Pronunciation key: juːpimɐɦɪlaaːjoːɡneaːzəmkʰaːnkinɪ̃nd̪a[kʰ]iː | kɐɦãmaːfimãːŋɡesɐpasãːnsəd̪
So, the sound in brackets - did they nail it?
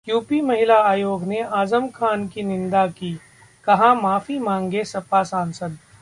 no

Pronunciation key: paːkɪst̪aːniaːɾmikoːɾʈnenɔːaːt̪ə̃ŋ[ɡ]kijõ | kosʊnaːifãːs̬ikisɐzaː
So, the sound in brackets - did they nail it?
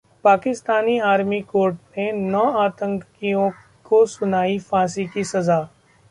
no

